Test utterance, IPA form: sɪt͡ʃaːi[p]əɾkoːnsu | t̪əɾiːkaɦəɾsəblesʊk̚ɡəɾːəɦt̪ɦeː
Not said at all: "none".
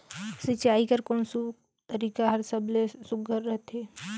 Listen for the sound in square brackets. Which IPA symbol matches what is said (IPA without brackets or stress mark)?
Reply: k